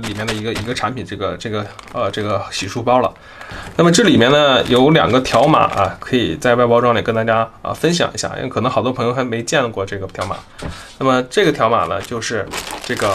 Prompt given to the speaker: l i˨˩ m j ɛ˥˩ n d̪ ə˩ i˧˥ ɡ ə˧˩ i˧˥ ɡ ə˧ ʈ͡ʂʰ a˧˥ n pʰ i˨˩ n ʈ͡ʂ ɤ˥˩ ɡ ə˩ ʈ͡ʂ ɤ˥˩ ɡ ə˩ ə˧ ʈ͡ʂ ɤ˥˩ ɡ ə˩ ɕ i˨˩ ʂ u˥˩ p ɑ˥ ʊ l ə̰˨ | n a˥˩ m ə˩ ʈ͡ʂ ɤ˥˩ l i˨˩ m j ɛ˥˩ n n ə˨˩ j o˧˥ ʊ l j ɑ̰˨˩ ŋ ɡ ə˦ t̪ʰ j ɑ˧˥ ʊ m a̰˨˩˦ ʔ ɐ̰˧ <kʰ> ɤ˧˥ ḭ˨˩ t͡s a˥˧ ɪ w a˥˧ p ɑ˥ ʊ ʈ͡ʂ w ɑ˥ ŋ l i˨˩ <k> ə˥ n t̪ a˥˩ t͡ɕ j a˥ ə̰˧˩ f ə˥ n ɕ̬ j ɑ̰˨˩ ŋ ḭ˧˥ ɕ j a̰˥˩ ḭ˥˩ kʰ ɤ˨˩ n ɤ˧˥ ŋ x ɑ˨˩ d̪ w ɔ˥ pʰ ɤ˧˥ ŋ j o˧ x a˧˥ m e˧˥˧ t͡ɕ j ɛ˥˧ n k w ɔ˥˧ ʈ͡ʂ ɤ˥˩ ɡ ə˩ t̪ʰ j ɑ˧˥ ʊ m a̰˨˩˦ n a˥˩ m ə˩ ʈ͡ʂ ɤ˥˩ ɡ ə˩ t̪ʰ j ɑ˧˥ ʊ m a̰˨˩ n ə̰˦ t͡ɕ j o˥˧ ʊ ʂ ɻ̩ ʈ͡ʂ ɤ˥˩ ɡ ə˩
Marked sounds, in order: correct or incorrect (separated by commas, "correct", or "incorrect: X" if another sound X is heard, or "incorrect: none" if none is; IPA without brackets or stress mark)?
correct, correct